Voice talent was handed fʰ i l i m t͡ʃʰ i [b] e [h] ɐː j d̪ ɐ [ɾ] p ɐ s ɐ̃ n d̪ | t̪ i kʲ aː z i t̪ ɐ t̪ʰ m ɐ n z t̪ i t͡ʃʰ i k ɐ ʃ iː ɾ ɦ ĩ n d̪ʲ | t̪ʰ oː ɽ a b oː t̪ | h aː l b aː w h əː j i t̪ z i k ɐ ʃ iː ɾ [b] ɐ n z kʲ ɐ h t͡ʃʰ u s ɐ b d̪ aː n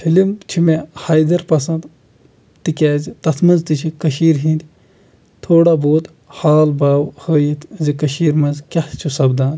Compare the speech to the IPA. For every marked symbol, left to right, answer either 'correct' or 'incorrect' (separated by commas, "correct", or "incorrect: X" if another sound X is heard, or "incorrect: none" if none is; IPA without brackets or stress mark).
incorrect: m, correct, correct, incorrect: m